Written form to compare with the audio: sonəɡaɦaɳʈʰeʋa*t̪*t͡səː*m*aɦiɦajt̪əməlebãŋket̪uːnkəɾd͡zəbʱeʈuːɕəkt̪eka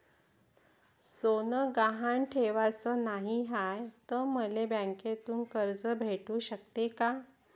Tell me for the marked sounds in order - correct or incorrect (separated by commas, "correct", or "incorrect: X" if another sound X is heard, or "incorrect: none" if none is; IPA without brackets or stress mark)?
incorrect: none, incorrect: n